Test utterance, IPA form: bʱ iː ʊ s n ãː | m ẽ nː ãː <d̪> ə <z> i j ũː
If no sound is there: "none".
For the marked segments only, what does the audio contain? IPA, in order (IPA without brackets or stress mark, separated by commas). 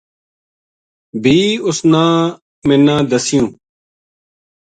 d̪, s